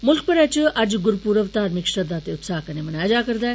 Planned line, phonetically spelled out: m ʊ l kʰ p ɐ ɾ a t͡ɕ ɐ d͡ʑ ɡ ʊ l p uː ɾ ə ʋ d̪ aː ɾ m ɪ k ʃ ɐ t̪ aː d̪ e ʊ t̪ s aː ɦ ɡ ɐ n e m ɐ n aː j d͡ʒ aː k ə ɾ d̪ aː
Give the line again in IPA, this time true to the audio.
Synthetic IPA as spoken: m ʊ l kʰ p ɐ ɾ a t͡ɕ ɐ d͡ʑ ɡ ʊ ɾ p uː ɾ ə ʋ t̪ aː ɾ m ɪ k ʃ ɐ d̪ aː t̪ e ʊ t̪ s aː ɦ k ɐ n e m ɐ n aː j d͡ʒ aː k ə ɾ d̪ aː